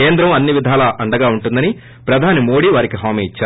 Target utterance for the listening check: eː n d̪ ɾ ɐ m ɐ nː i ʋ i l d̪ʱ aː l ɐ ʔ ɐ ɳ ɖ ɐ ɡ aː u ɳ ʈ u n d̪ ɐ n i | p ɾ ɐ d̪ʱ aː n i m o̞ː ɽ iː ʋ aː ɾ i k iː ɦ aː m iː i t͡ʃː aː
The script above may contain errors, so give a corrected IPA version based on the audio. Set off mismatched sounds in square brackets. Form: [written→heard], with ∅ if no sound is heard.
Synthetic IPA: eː n d̪ ɾ ɐ m ɐ nː i ʋ i [l→∅] d̪ʱ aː l ɐ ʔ ɐ ɳ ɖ ɐ ɡ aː u ɳ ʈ u n d̪ ɐ n i | p ɾ ɐ d̪ʱ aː n i m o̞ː ɽ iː ʋ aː ɾ i k [iː→i] ɦ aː m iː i t͡ʃː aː